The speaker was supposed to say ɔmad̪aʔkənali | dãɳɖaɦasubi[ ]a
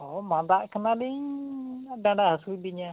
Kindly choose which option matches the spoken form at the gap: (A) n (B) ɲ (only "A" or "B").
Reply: B